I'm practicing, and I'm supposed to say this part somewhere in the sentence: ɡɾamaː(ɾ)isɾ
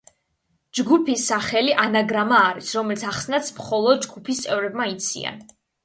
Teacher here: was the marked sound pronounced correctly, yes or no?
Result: yes